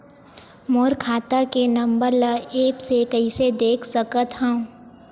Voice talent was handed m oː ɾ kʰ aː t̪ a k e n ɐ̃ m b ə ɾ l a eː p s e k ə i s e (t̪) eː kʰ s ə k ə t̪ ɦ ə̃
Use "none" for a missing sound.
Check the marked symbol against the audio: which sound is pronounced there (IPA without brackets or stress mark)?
d̪